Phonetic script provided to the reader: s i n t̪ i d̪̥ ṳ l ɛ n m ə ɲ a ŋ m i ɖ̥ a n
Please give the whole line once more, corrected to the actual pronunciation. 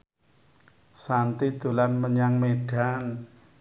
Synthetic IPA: s a n t̪ i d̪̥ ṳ l a n m ə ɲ a ŋ m e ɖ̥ a n